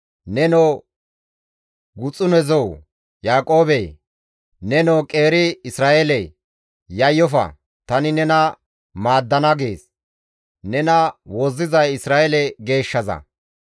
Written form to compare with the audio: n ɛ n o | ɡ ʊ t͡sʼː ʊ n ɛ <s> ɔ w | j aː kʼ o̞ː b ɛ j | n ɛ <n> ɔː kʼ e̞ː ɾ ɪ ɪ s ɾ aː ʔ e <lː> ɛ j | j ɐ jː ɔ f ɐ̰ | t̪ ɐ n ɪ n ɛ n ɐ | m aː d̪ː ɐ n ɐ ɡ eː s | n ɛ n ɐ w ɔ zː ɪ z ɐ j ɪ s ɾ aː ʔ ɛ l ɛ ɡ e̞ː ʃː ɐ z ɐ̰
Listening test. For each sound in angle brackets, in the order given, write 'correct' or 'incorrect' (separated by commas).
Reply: incorrect, correct, incorrect